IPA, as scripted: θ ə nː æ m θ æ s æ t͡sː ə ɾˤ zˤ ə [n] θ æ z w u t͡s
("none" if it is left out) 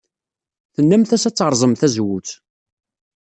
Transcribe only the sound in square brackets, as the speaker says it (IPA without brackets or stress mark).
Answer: m